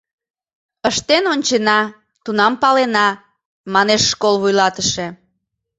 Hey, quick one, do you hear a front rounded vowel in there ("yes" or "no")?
no